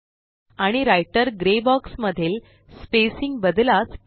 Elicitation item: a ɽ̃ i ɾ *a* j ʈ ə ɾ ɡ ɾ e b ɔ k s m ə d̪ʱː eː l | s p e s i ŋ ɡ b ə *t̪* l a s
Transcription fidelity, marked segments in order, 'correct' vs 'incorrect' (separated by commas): correct, incorrect